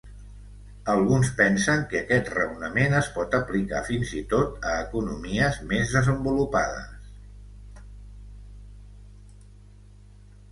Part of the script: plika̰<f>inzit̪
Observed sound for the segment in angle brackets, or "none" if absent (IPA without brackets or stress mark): f